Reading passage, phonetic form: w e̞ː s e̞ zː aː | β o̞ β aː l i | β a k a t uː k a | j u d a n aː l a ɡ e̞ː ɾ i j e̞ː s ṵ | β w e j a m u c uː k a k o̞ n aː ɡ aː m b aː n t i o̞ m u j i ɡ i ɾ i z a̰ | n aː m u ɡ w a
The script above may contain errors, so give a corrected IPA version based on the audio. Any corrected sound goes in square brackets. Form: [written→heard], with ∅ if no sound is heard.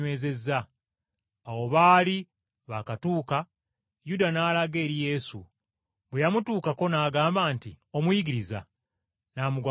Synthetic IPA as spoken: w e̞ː [s→z] e̞ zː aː | [β→w] o̞ β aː l i | β a k a t uː k a | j u d a n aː l a ɡ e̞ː ɾ i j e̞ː s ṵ | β w e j a m u [c→t] uː k a k o̞ n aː ɡ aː m b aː n t i o̞ m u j i ɡ i ɾ i z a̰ | n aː m u ɡ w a